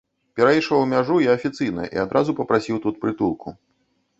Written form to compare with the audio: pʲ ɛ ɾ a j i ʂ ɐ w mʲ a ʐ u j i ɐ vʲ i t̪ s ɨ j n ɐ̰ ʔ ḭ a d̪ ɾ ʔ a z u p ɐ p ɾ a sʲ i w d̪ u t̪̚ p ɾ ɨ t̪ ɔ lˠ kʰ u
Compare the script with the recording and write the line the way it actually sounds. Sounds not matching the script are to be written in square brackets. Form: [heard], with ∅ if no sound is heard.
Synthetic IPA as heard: pʲ ɛ ɾ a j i ʂ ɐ w mʲ a ʐ u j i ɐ [fʲ] i t̪ s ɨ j n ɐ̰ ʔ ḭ a d̪ ɾ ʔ a z u p ɐ p ɾ a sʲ i w [t̪] u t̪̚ p ɾ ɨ t̪ [u] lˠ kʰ u